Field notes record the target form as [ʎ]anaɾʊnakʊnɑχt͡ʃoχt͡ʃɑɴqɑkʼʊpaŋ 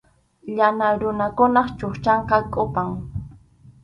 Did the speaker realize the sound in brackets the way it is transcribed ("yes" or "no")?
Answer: yes